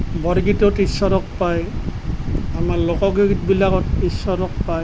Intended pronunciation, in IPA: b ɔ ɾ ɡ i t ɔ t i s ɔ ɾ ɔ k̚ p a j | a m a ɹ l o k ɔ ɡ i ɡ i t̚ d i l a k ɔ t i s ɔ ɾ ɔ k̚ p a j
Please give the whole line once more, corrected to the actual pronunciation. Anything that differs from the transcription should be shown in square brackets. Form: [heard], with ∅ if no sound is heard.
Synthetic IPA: b ɔ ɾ ɡ i t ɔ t i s ɔ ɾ ɔ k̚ p a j | a m a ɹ l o k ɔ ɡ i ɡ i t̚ [b] i l a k ɔ t i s ɔ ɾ ɔ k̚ p a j